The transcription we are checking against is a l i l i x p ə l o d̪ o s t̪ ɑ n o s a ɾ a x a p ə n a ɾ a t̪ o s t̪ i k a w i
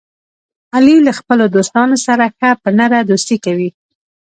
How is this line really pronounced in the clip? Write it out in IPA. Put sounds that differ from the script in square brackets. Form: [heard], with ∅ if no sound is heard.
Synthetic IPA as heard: a l i l [a] x p ə l o d̪ o s t̪ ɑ n o s a ɾ a x a p ə n a ɾ a [d̪] o s t̪ i k a w i